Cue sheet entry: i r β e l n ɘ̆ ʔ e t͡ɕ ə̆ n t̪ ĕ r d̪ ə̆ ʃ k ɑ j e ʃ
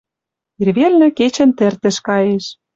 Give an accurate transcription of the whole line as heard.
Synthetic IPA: i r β e l n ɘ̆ k e t͡ɕ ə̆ n t̪ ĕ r t̪ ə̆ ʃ k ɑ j e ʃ